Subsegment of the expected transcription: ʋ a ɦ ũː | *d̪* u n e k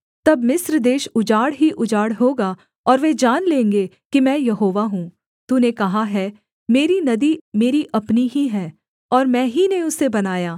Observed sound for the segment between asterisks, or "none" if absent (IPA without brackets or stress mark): t̪